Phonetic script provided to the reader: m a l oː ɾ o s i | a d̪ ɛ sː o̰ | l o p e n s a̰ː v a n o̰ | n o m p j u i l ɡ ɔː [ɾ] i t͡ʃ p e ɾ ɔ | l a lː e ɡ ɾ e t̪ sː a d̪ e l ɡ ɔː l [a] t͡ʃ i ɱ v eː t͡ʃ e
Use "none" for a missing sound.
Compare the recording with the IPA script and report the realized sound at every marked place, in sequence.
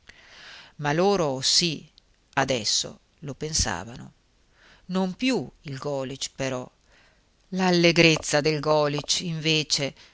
l, i

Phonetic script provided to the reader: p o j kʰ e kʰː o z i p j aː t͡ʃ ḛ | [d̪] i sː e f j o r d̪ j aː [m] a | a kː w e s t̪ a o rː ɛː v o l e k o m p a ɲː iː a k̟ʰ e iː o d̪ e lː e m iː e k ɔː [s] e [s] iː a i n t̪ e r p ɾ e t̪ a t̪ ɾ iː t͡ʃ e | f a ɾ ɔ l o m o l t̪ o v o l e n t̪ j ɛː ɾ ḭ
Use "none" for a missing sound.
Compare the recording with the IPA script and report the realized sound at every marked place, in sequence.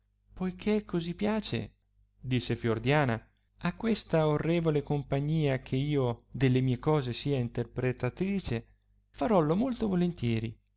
d̪, n, z, s

